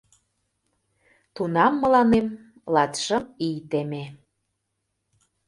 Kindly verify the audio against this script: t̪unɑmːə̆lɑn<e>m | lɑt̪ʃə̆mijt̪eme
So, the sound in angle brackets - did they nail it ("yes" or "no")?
yes